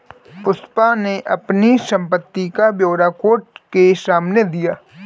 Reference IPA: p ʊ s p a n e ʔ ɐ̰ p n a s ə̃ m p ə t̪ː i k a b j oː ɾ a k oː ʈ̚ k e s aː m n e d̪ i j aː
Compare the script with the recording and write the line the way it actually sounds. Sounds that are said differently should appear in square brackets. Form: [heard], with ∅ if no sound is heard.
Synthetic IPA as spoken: p ʊ s p a n e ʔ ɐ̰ p n [i] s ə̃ m p ə t̪ː i k a b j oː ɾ a k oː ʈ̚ k e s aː m n e d̪ i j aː